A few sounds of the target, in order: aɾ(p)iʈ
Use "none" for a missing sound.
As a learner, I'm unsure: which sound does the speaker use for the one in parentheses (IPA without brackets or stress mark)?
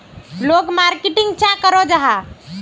k